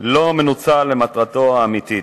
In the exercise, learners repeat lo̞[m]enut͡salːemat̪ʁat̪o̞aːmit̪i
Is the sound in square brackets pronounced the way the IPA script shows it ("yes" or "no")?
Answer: yes